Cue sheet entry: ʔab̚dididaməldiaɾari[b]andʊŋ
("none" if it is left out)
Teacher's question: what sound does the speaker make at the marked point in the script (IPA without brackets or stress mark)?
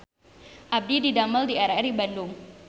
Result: b